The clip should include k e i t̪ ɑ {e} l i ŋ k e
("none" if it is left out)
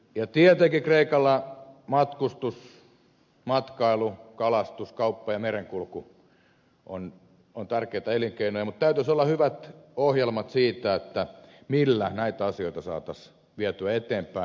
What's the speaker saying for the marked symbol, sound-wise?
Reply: e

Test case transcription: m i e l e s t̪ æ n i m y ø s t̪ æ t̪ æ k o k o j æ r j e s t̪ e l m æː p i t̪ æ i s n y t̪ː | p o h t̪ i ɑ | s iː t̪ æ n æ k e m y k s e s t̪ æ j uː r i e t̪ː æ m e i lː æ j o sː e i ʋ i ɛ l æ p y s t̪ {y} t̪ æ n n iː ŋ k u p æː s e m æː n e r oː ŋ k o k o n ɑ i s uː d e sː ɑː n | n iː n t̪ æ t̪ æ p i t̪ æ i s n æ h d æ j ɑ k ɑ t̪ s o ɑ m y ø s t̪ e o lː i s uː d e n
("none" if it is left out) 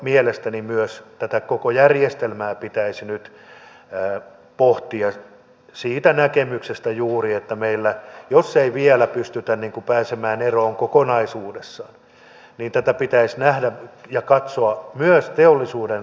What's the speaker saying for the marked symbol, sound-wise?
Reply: y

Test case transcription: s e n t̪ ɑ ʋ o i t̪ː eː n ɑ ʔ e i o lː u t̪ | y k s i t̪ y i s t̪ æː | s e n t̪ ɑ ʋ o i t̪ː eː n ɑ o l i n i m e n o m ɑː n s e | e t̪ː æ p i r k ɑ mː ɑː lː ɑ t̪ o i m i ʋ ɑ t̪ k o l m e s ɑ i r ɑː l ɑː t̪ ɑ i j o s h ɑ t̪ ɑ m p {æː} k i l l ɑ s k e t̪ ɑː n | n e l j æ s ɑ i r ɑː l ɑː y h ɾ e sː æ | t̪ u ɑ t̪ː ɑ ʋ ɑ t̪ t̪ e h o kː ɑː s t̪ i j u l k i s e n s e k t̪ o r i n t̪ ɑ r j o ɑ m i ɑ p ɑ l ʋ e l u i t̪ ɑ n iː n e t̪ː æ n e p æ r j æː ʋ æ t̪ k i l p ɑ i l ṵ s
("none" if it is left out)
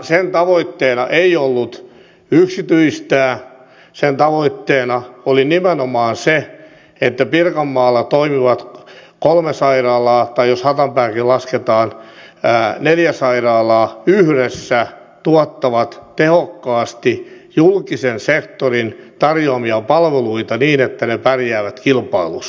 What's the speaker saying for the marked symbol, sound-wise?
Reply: æː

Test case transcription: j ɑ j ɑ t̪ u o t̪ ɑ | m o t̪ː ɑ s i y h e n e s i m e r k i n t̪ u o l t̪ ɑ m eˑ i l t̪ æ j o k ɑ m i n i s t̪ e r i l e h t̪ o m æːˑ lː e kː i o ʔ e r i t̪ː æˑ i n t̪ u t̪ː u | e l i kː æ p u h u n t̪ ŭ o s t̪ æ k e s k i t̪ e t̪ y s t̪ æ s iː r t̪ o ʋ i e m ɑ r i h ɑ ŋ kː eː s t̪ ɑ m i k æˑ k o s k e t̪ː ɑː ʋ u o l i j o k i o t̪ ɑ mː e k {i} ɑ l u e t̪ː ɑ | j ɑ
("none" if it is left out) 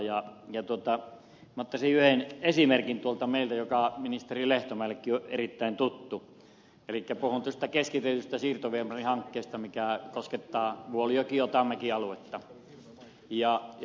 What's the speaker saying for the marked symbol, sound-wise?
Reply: i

